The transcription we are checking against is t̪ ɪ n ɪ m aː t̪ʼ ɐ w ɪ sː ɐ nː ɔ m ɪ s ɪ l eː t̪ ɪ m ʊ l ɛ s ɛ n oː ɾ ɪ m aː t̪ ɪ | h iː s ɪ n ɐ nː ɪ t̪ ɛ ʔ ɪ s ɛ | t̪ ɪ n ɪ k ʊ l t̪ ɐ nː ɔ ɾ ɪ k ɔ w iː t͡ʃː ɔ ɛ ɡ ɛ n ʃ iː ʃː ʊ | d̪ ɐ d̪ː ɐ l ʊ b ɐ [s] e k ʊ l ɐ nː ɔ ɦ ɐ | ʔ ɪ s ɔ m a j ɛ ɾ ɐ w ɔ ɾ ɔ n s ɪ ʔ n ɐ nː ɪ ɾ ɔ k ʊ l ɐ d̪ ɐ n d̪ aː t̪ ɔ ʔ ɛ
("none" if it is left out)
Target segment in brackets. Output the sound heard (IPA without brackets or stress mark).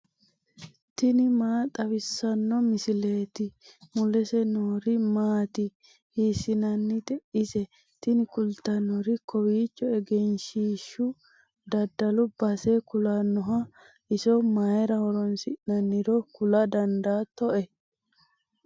s